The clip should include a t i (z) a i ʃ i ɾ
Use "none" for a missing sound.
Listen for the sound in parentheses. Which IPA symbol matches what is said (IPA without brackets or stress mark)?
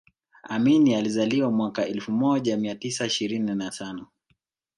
s